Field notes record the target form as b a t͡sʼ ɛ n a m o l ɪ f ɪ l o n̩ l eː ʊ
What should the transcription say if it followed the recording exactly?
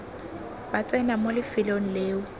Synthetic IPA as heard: b a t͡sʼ ɛ n a m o l ɪ f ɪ l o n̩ l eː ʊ